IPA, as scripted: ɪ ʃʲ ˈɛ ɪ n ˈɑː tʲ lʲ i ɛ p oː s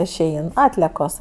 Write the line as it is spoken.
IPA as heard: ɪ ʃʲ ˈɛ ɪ n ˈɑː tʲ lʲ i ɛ k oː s